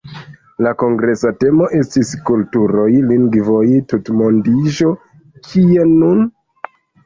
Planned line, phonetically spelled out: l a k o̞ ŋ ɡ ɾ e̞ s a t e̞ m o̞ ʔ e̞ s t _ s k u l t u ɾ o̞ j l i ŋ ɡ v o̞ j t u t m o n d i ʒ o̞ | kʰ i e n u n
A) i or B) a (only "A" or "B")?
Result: A